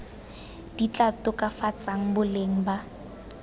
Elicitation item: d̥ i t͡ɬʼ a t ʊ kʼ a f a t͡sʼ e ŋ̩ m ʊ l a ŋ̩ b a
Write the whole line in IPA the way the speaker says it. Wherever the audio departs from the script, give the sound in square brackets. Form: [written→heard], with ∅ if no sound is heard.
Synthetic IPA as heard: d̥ i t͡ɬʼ a t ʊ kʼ a f a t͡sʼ [e→a] ŋ̩ [m→b] ʊ l [a→e] ŋ̩ b a